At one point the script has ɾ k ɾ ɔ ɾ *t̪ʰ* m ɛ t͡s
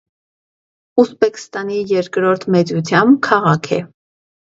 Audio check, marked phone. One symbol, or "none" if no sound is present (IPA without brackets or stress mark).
t̪ʰ